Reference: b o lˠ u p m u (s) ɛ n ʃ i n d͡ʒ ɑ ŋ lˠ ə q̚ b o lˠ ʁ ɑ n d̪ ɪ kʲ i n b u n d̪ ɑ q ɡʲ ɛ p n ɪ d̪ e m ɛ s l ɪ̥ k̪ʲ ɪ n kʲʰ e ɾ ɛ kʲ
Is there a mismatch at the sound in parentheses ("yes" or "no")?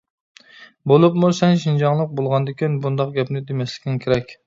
no